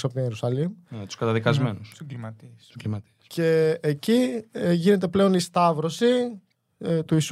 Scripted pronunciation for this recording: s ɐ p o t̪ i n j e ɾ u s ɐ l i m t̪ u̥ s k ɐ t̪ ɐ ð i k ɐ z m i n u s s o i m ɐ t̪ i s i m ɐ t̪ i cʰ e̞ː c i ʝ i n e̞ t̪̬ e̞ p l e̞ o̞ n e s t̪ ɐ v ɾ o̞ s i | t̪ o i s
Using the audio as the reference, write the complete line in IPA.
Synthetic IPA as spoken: s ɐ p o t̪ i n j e ɾ u s ɐ l i m t̪ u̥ s k ɐ t̪ ɐ ð i k ɐ z m e n u s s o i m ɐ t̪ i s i m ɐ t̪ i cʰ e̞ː c i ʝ i n e̞ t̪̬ e̞ p l e̞ o̞ n i s t̪ ɐ v ɾ o̞ s i | t̪ u i s